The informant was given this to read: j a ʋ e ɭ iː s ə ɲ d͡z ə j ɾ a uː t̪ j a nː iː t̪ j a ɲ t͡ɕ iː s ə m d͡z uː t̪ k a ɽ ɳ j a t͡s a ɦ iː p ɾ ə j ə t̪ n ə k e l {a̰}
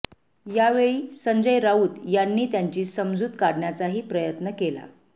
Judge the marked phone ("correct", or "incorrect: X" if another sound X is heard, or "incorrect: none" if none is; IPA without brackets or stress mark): correct